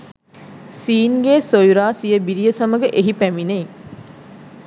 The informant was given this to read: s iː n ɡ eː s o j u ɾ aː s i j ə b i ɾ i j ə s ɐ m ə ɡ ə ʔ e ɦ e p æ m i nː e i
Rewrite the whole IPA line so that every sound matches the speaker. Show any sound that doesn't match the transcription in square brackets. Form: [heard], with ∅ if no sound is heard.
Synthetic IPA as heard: s iː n ɡ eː s o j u ɾ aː s i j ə b i ɾ i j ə s ɐ m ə ɡ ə ʔ e ɦ [i] p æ m i [n] e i